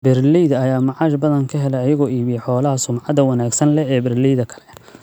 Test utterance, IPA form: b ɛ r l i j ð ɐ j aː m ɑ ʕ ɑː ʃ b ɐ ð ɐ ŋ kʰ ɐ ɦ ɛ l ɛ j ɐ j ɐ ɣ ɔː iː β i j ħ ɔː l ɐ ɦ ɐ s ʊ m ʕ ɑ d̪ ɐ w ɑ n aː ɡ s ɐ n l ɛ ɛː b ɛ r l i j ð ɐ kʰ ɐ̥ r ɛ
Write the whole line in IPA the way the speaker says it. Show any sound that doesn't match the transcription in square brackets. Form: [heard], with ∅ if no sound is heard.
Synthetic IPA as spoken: b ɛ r l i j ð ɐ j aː m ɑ ʕ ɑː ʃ b ɐ ð ɐ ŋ kʰ ɐ ɦ ɛ l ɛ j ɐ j ɐ ɣ ɔː iː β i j ħ ɔː l ɐ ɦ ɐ s ʊ m ʕ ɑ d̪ ɐ w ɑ n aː ɡ s ɐ n l ɛ ɛː b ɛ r l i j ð ɐ kʰ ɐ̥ [l] ɛ